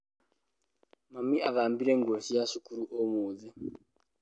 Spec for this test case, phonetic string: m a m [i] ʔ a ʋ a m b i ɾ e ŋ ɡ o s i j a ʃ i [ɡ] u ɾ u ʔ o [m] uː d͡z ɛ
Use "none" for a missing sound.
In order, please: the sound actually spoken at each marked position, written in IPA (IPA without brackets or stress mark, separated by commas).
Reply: i, k, m